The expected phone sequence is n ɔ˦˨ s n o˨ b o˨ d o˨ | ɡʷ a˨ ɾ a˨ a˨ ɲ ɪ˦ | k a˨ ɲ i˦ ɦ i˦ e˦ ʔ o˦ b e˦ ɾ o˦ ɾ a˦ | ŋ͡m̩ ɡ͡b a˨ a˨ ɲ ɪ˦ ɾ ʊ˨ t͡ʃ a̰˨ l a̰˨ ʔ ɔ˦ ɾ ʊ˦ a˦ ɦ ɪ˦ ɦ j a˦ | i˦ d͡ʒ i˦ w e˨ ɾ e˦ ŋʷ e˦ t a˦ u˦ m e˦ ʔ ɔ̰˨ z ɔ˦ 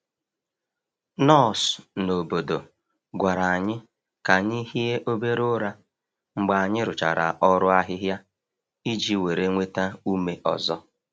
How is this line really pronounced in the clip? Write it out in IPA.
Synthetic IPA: n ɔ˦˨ s n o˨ b o˨ d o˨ | ɡʷ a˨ ɾ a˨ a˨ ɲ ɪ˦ | k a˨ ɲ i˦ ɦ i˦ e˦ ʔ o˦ b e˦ ɾ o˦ ɾ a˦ | ŋ͡m̩ ɡ͡b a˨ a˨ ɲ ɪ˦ ɾ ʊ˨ t͡ʃ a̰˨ ɾ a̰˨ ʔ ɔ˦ ɾ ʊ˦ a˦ ɦ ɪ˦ ɦ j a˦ | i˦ d͡ʒ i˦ w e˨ ɾ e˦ ŋʷ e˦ t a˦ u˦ m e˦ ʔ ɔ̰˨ z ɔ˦